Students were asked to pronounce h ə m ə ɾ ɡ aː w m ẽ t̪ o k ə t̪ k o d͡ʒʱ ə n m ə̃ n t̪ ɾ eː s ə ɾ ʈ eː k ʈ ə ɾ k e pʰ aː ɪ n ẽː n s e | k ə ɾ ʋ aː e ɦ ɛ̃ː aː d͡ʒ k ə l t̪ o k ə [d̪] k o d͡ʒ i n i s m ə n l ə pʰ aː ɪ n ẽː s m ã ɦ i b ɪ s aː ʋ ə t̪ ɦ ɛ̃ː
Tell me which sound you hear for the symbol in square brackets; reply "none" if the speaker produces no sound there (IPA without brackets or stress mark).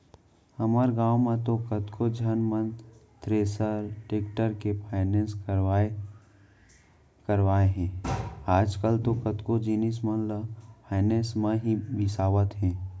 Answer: t̪